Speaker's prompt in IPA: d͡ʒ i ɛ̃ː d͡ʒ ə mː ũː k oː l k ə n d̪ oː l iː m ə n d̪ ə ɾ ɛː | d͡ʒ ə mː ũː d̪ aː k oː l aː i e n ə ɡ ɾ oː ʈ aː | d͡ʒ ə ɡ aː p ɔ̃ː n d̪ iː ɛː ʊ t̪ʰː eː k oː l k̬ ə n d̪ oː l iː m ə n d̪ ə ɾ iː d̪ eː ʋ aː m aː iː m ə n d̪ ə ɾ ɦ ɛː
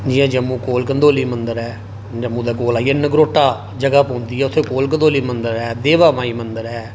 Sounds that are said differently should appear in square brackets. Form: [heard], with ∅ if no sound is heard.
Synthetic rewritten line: d͡ʒ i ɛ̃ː d͡ʒ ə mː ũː k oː l k ə n d̪ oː l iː m ə n d̪ ə ɾ ɛː | d͡ʒ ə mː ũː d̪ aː k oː l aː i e n ə ɡ ɾ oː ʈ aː | d͡ʒ ə ɡ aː p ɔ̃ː n d̪ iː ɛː ʊ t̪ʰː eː k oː l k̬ ə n d̪ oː l iː m ə n d̪ ə ɾ [ɛː] d̪ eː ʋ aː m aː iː m ə n d̪ ə ɾ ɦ ɛː